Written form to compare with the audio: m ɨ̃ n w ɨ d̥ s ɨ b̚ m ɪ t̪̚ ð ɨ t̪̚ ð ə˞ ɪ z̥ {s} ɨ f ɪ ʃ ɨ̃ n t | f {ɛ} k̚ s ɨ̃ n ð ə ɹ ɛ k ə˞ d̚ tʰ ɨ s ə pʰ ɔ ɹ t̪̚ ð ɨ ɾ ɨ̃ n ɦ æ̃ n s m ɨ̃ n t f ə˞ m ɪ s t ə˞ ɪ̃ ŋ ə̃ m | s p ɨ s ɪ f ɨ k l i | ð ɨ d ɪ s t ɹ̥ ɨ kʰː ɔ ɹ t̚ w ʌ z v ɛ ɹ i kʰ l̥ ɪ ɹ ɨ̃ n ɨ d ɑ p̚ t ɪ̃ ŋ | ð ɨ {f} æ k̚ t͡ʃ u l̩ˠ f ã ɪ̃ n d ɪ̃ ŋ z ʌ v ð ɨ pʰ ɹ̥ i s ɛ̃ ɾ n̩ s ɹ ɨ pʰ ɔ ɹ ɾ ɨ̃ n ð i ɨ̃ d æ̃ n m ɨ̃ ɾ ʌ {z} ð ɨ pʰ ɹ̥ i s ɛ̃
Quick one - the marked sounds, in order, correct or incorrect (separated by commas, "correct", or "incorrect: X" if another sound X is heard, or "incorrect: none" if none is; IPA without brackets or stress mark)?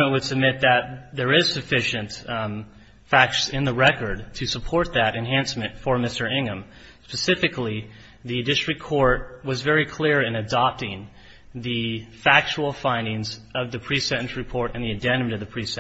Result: correct, incorrect: æ, correct, incorrect: v